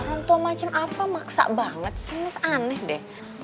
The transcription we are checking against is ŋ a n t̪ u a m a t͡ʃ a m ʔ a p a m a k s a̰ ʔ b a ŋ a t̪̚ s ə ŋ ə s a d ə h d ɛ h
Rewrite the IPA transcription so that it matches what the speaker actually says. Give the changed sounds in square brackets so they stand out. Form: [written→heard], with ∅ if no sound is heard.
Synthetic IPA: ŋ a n t̪ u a m a t͡ʃ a m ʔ a p a m a k s a̰ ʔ b a ŋ [a→ə] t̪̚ s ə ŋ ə s a [d→n] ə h d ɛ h